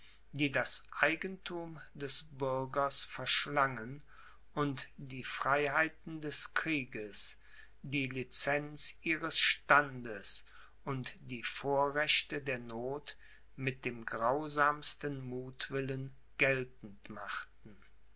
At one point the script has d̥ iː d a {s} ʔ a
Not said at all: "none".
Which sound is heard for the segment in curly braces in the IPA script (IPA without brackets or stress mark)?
s